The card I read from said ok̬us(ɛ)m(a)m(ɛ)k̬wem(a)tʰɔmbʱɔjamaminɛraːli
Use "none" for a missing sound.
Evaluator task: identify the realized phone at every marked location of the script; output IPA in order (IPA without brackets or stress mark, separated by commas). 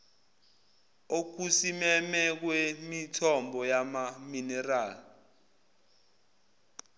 i, ɛ, ɛ, i